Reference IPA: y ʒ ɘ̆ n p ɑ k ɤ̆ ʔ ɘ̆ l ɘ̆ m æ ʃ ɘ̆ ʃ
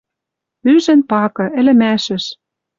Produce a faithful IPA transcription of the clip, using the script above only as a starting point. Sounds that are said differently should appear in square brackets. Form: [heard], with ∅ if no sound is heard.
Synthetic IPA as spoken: y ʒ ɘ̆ n p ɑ k ɤ̆ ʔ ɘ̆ l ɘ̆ m æ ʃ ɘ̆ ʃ

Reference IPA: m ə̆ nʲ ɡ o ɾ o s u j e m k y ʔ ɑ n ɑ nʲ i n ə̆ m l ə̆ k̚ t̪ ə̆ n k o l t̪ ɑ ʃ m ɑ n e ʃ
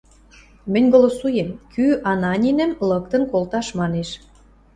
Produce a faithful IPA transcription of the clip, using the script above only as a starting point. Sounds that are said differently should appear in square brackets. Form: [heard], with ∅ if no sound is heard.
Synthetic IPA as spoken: m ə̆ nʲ ɡ o [l] o s u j e m k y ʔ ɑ n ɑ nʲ i n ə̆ m l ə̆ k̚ t̪ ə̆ n k o l t̪ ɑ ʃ m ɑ n e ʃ

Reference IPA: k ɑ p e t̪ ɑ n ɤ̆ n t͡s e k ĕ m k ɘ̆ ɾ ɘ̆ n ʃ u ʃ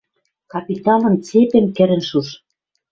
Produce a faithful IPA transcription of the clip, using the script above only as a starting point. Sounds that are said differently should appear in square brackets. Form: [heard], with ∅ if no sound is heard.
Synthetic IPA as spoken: k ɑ p [i] t̪ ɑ n ɤ̆ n t͡s e [p] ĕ m k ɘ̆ ɾ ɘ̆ n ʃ u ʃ

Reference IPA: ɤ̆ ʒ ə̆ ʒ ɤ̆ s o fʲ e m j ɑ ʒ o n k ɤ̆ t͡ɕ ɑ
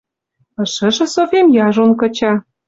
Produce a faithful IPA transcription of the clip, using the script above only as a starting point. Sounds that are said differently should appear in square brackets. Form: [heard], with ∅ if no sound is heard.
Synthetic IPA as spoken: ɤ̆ [ʃ] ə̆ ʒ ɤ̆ s o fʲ e m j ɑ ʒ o n k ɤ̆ t͡ɕ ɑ

